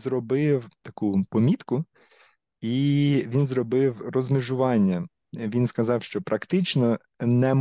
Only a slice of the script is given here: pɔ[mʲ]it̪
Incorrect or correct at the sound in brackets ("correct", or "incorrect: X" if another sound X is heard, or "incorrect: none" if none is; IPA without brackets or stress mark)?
correct